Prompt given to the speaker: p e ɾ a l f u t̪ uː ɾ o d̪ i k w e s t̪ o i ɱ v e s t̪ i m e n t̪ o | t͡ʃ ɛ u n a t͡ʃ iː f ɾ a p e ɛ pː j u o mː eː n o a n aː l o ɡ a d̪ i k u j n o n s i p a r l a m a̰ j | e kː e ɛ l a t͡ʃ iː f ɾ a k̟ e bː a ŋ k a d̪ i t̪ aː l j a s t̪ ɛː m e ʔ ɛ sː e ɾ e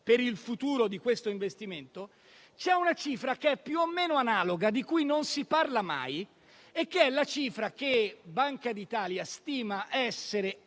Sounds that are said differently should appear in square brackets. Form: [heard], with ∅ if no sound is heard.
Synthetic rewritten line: p e ɾ [i] l f u t̪ uː ɾ o d̪ i k w e s t̪ o i ɱ v e s t̪ i m e n t̪ o | t͡ʃ ɛ u n a t͡ʃ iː f ɾ a [k] e ɛ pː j u o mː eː n o a n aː l o ɡ a d̪ i k u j n o n s i p a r l a m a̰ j | e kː e ɛ l a t͡ʃ iː f ɾ a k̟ e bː a ŋ k a d̪ i t̪ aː l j a s t̪ [iː] m [a] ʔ ɛ sː e ɾ e